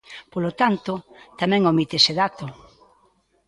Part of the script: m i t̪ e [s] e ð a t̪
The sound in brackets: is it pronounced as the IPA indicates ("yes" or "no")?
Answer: yes